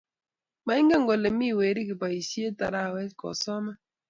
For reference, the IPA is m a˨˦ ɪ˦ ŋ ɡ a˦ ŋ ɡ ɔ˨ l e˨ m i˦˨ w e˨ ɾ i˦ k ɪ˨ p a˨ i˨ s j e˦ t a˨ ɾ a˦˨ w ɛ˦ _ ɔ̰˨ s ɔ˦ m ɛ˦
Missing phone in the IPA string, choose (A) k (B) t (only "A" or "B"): A